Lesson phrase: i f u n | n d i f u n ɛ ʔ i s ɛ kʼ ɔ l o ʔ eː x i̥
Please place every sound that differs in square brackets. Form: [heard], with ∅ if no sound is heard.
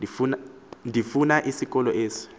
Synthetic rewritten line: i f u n | n d i f u n [a] ʔ i s [i] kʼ ɔ l [ɔ] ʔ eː [s] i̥